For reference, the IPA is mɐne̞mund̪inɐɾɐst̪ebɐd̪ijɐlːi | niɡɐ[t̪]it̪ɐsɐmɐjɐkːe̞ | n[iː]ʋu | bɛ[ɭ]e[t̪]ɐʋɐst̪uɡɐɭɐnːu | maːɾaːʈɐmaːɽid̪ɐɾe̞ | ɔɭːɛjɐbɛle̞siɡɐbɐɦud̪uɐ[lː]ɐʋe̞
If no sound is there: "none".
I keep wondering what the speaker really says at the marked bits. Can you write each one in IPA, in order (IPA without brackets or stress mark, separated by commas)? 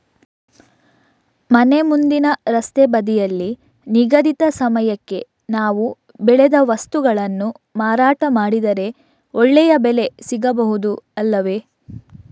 d̪, aː, ɭ, d̪, lː